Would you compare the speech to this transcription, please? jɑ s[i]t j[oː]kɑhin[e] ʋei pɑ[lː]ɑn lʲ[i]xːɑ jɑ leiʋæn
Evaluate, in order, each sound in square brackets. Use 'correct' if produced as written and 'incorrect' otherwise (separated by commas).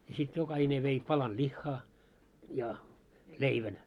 correct, incorrect, correct, incorrect, correct